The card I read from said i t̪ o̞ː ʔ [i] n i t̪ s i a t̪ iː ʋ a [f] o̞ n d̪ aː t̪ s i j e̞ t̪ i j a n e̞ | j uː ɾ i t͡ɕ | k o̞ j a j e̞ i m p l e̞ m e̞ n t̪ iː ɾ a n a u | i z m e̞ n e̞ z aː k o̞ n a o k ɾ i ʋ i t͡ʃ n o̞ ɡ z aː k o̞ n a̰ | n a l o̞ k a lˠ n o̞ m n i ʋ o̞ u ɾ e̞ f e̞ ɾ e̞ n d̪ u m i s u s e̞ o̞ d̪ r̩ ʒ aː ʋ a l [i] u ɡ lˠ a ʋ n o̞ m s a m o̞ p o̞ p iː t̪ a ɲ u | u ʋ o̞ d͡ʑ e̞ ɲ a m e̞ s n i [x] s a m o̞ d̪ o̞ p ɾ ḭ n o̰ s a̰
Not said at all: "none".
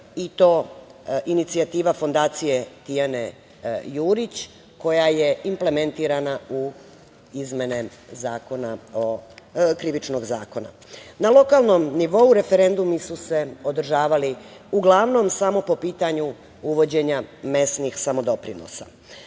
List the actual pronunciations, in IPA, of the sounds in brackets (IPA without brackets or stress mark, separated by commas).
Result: i, f, i, x